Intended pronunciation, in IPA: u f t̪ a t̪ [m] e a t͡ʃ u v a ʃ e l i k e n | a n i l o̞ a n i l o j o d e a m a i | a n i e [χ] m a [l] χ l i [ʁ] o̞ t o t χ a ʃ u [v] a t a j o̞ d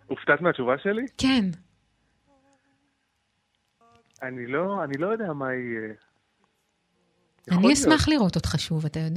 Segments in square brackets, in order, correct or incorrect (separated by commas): correct, incorrect, incorrect, correct, correct